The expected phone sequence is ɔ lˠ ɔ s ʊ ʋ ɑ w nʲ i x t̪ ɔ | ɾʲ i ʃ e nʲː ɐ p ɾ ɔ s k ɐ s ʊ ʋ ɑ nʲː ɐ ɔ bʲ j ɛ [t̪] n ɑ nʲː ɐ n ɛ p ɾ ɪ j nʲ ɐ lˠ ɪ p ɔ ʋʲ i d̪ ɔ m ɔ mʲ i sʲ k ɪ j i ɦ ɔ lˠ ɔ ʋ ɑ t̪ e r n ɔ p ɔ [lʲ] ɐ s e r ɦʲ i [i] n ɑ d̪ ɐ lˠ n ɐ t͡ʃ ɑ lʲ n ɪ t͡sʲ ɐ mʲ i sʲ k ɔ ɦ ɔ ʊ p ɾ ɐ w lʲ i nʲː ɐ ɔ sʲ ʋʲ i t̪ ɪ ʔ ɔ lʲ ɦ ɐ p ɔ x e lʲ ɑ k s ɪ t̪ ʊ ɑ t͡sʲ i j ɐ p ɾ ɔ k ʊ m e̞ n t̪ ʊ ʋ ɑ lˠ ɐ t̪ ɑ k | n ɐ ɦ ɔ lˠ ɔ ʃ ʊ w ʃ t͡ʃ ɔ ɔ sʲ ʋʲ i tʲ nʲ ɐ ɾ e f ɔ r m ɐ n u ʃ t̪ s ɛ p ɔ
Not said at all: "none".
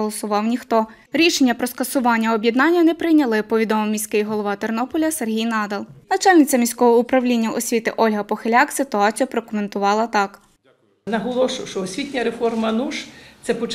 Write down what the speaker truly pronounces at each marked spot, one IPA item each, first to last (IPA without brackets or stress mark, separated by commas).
d̪, lʲ, j